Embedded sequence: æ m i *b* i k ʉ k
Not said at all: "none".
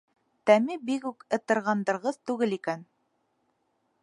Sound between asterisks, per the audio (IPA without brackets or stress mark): b